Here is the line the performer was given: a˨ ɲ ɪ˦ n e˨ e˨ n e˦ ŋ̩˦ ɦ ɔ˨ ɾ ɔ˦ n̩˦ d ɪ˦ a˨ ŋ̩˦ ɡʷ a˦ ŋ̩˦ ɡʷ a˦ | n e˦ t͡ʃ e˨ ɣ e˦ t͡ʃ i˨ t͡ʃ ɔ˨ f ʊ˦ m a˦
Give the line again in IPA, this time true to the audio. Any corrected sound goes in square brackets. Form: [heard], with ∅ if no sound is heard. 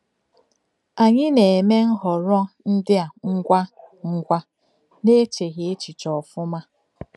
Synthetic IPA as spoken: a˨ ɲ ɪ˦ n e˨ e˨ [m] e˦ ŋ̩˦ ɦ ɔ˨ ɾ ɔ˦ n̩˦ d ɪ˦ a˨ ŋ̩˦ ɡʷ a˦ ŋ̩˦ ɡʷ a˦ | n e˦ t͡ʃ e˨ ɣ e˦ t͡ʃ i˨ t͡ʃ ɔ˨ f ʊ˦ m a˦